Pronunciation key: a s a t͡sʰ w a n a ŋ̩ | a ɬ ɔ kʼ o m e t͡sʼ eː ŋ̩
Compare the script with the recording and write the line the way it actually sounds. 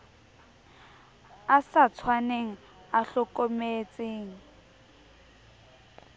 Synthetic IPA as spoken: a s a t͡sʰ w a n e ŋ̩ | a ɬ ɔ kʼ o m e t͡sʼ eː ŋ̩